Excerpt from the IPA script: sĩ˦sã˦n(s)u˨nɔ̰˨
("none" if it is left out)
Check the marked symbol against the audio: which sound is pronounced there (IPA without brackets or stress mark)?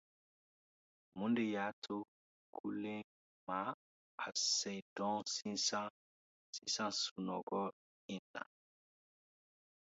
s